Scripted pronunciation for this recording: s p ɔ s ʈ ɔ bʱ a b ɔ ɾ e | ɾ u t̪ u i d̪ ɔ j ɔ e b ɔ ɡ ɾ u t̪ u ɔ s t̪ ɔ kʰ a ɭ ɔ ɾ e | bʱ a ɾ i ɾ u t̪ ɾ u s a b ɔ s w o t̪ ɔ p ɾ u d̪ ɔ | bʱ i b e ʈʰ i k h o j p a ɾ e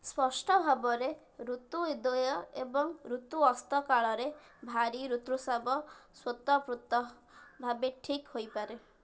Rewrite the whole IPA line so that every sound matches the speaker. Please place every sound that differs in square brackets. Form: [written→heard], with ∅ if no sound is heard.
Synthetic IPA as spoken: s p ɔ s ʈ ɔ bʱ a b ɔ ɾ e | ɾ u t̪ u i d̪ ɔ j ɔ e b ɔ [ɡ→ŋ] ɾ u t̪ u ɔ s t̪ ɔ [kʰ→k] a ɭ ɔ ɾ e | bʱ a ɾ i ɾ u t̪ ɾ u s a b ɔ s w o t̪ ɔ p ɾ u [d̪→t̪] ɔ | bʱ [i→a] b e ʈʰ i k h o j p a ɾ e